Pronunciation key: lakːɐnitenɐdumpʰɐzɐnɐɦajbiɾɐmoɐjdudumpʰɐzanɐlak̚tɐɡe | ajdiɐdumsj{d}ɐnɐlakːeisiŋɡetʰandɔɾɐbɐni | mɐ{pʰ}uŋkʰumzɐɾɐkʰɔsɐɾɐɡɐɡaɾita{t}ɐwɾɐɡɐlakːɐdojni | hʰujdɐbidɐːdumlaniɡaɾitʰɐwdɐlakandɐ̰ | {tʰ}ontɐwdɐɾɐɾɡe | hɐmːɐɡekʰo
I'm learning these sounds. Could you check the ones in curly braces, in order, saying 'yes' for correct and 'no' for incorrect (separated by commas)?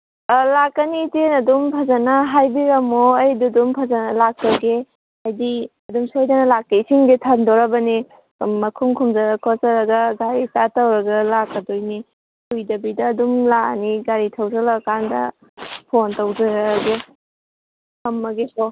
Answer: yes, no, yes, no